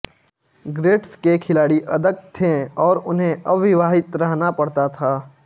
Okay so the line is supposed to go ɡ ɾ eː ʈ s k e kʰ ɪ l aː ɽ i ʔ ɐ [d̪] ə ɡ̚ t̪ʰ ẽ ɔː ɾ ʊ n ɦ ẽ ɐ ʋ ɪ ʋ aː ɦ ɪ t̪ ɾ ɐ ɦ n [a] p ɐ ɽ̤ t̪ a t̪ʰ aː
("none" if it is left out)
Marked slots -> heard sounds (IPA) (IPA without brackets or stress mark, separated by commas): d̪, a